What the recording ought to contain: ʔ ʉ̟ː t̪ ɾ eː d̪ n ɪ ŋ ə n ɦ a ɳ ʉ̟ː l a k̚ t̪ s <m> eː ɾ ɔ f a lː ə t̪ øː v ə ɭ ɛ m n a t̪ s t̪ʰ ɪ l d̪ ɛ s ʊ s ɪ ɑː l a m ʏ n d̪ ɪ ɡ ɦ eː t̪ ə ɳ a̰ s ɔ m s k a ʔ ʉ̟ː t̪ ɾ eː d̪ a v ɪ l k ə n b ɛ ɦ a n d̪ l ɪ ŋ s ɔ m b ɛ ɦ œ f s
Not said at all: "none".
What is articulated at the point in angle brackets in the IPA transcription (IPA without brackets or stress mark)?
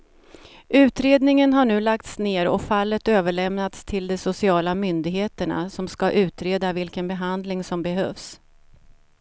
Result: n